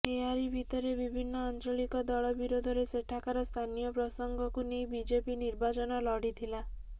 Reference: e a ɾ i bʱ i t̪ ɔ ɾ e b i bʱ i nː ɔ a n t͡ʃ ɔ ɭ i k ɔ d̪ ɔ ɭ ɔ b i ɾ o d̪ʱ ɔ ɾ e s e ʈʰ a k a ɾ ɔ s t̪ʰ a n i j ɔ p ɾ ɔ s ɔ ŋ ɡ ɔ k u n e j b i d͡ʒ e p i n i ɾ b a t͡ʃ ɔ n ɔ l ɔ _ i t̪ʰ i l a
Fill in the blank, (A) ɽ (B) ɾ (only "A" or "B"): A